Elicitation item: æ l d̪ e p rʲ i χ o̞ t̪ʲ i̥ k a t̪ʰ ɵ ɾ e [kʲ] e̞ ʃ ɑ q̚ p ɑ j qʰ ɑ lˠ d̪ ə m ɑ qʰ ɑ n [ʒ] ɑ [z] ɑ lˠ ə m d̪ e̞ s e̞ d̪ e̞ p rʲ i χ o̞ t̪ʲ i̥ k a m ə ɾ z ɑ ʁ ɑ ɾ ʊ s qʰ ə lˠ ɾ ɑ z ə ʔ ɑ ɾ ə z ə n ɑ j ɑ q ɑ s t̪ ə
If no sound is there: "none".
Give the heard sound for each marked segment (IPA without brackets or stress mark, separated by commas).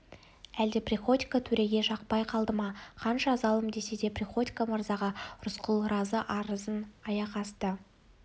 ɡʲ, ʃ, z